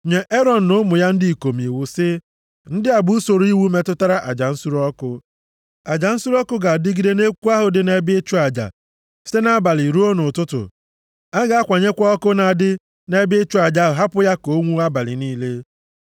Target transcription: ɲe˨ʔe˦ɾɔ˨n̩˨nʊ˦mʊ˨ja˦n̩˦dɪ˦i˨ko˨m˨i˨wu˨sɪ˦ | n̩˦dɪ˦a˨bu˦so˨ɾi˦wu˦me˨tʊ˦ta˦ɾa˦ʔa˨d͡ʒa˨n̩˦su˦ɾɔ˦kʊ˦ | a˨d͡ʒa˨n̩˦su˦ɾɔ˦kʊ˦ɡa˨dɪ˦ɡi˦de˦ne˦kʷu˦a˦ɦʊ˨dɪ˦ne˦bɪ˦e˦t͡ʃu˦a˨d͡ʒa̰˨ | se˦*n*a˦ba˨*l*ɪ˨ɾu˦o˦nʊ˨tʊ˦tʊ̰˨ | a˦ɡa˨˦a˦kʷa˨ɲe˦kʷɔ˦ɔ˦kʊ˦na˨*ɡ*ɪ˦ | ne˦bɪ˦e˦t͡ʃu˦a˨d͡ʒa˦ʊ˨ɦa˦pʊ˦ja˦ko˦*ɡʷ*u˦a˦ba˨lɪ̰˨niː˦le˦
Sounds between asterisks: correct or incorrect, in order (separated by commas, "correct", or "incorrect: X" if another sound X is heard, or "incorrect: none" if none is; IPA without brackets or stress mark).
correct, correct, incorrect: d, incorrect: ŋʷ